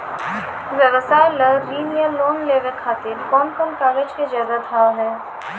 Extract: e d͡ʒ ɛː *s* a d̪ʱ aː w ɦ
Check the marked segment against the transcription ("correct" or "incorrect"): incorrect